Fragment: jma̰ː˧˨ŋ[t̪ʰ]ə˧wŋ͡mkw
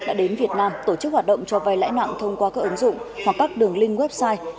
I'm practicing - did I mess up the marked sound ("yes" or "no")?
no